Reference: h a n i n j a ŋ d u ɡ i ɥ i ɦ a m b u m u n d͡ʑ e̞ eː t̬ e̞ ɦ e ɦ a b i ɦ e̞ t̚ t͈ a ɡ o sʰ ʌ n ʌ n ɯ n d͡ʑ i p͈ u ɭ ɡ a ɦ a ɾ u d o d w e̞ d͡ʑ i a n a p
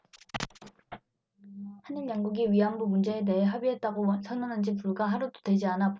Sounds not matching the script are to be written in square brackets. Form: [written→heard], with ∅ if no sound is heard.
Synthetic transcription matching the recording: h a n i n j a ŋ [d→ɡ] u ɡ i ɥ i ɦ a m b u m u n d͡ʑ e̞ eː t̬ e̞ ɦ e ɦ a b i ɦ e̞ t̚ t͈ a ɡ o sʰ ʌ n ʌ n ɯ n d͡ʑ i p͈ u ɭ ɡ a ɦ a ɾ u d o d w e̞ d͡ʑ i a n a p